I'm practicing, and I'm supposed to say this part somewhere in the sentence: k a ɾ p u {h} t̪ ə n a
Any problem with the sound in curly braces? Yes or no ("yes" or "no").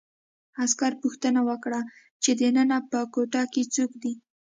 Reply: yes